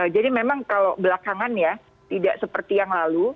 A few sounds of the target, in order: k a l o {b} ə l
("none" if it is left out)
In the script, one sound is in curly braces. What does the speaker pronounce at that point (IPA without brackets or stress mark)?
b